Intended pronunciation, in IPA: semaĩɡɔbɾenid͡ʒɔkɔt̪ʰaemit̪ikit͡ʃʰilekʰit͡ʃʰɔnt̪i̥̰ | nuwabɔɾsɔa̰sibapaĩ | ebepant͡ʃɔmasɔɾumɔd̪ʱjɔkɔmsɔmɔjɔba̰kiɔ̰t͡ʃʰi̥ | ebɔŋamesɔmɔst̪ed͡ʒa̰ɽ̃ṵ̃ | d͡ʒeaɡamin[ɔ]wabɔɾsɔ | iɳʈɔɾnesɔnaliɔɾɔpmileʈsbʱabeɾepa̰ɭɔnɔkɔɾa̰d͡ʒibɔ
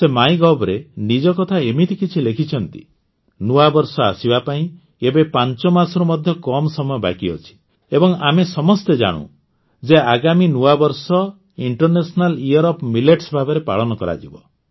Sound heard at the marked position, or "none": u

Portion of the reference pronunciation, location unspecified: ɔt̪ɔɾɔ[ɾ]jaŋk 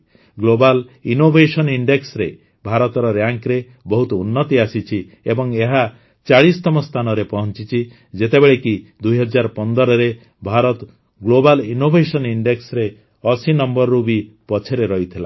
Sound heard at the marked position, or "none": ɾ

